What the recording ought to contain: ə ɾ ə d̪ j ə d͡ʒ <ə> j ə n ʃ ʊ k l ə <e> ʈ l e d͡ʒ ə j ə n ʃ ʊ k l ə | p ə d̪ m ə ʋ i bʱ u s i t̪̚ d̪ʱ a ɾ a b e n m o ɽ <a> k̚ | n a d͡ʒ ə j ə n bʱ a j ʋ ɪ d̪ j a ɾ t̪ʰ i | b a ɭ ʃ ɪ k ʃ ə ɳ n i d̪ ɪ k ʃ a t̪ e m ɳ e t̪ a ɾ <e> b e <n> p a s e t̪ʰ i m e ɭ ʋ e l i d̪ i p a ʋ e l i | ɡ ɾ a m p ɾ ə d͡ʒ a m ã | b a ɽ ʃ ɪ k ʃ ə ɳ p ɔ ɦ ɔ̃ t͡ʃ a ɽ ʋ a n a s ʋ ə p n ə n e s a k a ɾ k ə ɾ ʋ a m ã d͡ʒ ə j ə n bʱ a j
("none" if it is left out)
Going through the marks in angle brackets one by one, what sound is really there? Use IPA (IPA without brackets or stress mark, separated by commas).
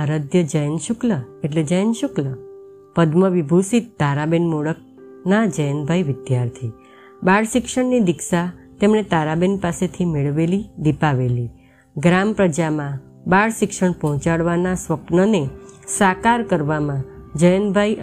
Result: ə, e, ə, a, n